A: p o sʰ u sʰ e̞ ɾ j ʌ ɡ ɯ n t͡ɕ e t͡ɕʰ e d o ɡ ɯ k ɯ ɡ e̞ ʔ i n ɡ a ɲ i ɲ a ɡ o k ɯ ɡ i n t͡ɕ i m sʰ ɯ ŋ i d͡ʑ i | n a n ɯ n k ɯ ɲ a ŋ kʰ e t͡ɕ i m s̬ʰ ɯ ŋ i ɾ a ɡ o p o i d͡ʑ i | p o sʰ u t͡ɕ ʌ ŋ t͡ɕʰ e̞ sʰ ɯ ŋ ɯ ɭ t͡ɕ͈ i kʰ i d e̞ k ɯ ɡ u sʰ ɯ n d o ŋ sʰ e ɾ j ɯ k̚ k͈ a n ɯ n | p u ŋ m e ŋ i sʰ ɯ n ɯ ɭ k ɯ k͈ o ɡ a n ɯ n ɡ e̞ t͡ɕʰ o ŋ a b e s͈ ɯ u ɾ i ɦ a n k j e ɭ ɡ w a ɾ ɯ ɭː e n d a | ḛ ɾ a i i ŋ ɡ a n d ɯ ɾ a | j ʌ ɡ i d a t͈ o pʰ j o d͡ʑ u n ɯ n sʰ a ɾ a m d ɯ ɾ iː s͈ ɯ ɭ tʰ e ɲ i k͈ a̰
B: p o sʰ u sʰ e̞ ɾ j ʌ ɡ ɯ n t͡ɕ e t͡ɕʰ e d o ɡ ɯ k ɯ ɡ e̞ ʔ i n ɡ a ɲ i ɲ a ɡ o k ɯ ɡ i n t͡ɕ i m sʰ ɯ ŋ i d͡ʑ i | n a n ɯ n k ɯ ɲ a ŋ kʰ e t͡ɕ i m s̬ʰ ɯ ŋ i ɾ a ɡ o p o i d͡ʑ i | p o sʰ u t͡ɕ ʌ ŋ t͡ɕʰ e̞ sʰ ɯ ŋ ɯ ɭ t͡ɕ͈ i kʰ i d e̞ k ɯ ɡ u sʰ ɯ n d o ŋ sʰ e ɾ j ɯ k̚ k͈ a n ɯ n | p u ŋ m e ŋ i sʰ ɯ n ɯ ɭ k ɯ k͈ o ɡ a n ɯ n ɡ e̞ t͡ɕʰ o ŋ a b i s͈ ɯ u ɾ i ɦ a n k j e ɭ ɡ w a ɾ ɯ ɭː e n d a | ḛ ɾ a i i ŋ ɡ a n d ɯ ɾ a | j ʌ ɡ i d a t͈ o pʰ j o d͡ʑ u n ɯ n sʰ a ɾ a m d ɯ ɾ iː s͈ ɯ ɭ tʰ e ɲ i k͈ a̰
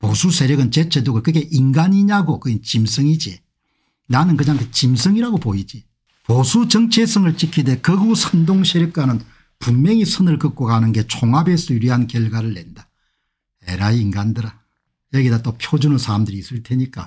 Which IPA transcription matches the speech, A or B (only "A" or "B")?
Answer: A